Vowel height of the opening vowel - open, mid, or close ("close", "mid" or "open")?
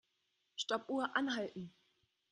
mid